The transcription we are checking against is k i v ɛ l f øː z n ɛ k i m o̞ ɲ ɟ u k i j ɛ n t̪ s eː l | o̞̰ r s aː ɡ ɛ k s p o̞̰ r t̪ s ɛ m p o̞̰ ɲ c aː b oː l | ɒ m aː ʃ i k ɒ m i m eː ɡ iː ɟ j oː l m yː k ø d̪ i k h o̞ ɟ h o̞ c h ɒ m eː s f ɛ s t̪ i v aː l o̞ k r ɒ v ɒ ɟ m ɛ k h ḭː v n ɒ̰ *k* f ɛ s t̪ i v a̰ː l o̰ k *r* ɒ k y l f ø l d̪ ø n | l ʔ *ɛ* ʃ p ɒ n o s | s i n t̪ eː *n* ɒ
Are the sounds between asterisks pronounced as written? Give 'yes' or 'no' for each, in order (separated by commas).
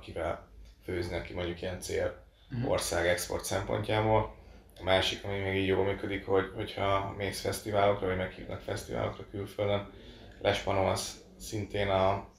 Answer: yes, yes, yes, yes